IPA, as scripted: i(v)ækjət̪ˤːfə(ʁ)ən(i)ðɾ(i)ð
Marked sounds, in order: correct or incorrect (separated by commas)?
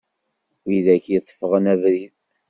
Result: incorrect, correct, incorrect, correct